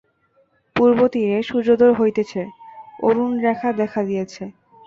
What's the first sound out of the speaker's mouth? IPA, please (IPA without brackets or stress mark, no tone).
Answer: p